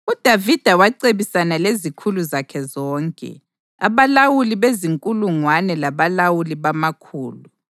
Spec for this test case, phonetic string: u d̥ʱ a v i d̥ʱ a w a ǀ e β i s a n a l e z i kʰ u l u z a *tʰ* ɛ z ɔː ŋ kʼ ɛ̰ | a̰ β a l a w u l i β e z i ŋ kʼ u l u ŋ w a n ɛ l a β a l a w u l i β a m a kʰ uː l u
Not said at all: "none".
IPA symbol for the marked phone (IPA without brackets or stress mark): kʰ